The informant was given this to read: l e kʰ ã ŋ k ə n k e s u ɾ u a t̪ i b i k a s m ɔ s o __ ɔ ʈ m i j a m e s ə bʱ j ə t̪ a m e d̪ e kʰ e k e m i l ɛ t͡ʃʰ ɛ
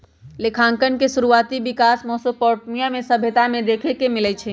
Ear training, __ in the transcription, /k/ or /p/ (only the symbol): p